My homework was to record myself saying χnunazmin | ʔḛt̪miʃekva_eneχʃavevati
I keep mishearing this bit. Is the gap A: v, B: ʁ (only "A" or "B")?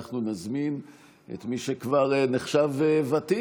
B